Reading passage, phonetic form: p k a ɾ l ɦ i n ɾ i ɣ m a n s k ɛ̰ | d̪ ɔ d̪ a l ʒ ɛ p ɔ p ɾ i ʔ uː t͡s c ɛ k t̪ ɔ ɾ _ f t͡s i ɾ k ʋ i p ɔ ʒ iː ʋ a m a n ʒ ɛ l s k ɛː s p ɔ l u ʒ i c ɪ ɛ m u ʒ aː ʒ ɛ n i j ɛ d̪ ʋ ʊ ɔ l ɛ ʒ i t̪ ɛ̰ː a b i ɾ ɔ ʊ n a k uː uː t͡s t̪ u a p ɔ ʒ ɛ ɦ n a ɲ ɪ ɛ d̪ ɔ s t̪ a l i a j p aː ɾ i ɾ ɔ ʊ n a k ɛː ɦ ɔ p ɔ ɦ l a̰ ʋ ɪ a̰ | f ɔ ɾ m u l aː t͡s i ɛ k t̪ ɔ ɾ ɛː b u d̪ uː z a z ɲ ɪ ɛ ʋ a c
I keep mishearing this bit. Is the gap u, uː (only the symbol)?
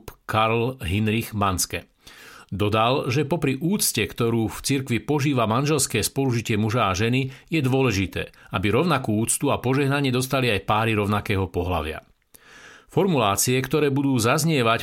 uː